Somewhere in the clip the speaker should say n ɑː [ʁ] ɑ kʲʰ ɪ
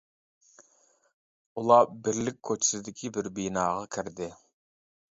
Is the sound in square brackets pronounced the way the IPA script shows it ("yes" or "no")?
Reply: yes